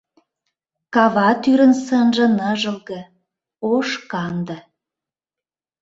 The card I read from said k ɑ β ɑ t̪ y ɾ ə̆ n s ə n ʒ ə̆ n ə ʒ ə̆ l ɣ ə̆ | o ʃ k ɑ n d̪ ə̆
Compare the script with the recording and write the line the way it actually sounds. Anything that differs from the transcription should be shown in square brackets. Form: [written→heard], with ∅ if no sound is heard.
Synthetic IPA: k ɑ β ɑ t̪ y ɾ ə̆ n s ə n ʒ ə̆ n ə ʒ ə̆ l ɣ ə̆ | o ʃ k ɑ n d̪ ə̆